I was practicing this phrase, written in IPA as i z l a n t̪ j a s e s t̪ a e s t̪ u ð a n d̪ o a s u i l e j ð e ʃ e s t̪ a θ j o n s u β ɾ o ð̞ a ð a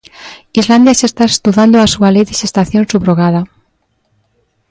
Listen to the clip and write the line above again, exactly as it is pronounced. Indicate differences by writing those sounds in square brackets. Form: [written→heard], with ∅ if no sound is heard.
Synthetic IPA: i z l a n [t̪→d̪] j a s e s t̪ a e s t̪ u ð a n d̪ o a s u [i→a] l e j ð e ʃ e s t̪ a θ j o n s u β ɾ o [ð̞→ɣ̞] a ð a